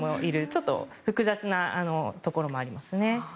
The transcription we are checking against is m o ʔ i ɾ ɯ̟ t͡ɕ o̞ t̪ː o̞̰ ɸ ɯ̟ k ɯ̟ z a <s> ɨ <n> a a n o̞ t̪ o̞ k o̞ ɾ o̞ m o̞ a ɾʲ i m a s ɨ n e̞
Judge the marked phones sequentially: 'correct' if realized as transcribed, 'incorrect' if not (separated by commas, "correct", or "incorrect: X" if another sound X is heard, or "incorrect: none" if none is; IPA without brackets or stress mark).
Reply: incorrect: t͡s, correct